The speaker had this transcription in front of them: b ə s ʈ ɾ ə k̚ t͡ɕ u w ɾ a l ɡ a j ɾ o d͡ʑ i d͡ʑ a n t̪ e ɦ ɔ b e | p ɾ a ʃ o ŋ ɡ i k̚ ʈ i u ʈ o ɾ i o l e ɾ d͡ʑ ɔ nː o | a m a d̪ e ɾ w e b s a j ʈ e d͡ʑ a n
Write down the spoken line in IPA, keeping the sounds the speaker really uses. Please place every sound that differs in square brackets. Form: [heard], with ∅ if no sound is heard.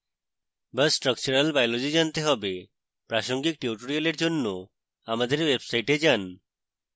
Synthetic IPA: b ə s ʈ ɾ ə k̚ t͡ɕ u [∅] ɾ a l [b] a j [l] o d͡ʑ i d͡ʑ a n t̪ e ɦ ɔ b e | p ɾ a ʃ o ŋ ɡ i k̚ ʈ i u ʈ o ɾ i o l e ɾ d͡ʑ [o] nː o | a m a d̪ e ɾ w e b s a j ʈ e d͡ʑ a n